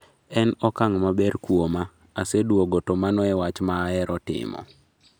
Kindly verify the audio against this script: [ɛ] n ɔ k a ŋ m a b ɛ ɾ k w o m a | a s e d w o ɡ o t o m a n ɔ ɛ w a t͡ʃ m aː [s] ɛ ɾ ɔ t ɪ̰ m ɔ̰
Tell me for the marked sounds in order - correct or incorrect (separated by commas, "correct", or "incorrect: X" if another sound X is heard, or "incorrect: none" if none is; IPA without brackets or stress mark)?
correct, incorrect: none